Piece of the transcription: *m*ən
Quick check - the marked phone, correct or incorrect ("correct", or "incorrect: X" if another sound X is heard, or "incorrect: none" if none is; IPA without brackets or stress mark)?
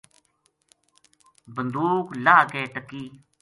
incorrect: b